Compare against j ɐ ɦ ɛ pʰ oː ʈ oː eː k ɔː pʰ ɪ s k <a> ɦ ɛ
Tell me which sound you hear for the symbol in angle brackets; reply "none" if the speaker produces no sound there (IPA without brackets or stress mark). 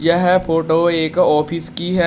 i